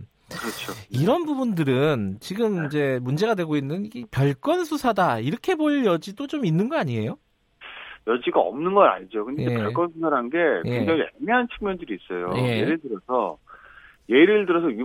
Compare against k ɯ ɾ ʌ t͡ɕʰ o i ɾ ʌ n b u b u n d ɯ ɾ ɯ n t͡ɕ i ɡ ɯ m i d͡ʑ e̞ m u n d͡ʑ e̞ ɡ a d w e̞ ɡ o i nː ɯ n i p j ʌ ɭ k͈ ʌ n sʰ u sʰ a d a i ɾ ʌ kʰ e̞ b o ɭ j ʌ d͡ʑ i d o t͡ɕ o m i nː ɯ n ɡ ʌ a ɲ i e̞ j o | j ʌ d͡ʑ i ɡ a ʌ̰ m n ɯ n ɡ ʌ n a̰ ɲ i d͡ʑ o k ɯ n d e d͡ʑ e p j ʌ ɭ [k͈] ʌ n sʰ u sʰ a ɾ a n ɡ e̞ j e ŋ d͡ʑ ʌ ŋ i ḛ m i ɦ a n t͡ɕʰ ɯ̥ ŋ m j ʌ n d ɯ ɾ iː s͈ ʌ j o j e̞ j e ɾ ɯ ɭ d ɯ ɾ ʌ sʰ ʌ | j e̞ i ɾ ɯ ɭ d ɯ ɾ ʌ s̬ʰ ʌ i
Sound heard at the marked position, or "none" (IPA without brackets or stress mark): k͈